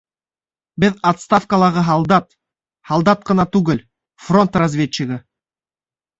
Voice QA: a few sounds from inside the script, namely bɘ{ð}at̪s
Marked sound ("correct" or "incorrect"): correct